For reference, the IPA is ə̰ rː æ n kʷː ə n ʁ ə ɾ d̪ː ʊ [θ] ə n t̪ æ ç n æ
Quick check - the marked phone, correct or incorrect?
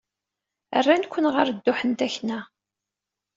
incorrect